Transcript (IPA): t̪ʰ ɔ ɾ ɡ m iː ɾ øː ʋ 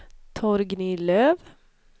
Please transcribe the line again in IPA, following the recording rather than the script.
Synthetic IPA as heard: t̪ʰ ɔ ɾ ɡ n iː l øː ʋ